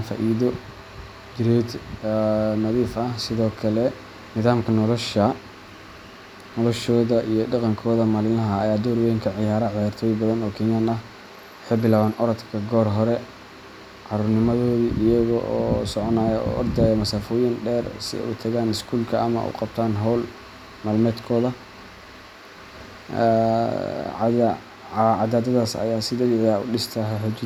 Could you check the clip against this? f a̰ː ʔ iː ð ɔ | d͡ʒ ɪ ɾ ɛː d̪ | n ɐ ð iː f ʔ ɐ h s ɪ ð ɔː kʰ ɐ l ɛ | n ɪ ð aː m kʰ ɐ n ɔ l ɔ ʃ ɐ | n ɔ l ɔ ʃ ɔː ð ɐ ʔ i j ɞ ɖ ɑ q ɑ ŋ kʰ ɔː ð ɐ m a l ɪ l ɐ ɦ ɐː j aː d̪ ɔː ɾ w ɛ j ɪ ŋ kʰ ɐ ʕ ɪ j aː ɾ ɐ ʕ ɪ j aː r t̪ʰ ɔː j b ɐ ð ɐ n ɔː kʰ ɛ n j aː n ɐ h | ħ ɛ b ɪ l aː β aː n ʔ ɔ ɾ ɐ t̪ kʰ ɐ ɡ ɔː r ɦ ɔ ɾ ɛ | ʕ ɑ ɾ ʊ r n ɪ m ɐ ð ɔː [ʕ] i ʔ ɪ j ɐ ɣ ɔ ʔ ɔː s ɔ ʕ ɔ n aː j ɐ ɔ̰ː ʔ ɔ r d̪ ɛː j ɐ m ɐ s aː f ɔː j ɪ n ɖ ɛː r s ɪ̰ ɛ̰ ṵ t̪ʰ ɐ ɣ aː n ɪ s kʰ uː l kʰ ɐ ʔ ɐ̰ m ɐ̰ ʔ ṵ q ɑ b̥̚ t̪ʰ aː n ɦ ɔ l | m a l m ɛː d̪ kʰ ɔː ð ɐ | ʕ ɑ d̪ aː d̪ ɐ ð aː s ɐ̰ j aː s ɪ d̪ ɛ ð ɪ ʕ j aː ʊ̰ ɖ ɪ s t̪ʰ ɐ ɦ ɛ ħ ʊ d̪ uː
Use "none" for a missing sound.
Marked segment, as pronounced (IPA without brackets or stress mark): ð